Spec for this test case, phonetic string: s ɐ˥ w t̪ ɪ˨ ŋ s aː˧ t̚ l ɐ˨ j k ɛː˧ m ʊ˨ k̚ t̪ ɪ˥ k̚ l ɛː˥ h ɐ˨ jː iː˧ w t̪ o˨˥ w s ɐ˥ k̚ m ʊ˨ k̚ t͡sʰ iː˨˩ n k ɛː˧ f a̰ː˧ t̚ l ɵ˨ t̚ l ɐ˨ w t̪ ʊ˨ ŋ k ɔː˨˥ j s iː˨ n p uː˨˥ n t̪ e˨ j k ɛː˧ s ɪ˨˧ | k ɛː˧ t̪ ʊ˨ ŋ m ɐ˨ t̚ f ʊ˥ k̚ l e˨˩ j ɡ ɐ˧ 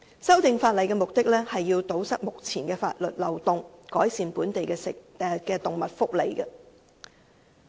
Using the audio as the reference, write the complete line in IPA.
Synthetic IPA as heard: s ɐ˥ w t̪ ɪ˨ ŋ f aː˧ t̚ l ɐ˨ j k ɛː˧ m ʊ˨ k̚ t̪ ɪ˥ k̚ l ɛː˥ h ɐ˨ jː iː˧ w t̪ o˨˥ w s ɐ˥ k̚ m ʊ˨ k̚ t͡sʰ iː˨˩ n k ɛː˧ f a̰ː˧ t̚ l ɵ˨ t̚ l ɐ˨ w t̪ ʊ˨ ŋ k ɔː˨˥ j s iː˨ n p uː˨˥ n t̪ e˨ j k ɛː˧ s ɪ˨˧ | k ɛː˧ t̪ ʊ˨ ŋ m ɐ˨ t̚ f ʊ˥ k̚ l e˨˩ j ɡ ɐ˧